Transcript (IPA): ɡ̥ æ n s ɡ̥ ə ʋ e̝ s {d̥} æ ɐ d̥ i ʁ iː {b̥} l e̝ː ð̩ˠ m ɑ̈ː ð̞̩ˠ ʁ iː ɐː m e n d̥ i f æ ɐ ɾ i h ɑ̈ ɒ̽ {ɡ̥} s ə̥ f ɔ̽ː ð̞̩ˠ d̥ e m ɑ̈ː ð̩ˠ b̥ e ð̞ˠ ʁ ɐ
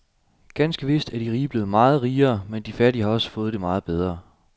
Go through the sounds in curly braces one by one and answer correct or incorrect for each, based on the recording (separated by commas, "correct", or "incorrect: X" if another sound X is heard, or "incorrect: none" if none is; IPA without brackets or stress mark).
correct, correct, incorrect: none